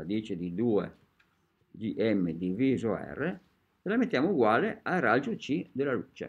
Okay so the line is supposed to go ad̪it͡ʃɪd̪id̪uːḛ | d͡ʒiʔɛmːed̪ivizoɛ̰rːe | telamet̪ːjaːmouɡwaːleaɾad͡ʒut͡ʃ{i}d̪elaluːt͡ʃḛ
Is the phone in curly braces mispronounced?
no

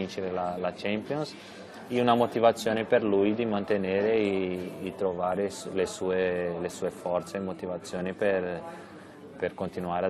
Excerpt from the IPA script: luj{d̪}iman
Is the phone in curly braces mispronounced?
no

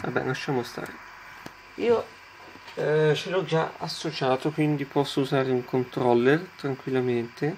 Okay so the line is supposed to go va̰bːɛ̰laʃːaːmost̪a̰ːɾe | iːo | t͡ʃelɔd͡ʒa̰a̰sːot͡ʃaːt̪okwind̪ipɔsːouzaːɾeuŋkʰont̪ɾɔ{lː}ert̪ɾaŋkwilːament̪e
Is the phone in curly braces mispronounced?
no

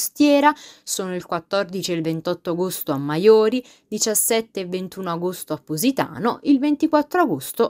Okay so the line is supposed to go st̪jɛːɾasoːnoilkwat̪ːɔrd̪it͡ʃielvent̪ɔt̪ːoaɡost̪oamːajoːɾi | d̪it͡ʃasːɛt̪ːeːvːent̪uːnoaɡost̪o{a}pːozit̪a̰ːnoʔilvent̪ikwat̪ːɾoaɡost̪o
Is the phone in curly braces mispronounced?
no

